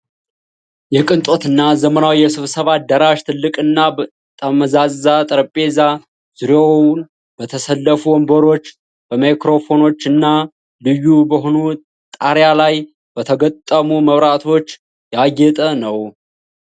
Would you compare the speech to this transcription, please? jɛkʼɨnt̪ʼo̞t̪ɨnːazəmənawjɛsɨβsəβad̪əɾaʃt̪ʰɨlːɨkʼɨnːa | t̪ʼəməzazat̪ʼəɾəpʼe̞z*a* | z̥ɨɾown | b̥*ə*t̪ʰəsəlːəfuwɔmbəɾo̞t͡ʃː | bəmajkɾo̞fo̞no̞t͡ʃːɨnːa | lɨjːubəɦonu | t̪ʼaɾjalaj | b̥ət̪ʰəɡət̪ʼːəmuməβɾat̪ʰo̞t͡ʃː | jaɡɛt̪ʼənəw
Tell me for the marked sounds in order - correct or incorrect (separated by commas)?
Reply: correct, correct